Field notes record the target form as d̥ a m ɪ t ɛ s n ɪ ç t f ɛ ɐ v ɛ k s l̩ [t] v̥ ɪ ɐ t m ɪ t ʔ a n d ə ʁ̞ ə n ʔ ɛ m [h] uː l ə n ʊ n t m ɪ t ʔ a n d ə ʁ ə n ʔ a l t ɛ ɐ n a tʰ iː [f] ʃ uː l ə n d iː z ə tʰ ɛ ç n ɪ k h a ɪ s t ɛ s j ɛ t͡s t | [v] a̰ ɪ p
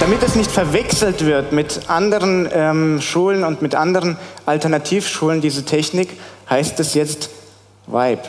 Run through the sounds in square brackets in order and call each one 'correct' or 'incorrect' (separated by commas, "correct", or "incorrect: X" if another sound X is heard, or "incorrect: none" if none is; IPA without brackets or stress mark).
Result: correct, incorrect: ʃ, correct, correct